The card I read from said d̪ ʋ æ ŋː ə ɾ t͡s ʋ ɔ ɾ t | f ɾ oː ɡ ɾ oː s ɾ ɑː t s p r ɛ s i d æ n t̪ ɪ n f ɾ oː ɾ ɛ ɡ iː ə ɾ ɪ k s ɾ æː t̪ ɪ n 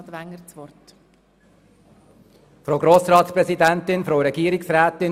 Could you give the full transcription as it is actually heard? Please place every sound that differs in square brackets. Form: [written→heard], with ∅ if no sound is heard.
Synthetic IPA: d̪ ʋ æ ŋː ə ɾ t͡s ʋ ɔ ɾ t | f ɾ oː ɡ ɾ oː s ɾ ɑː t s p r ɛ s i d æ n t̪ ɪ n f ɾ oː ɾ ɛ ɡ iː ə ɾ ɪ k s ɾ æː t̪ ɪ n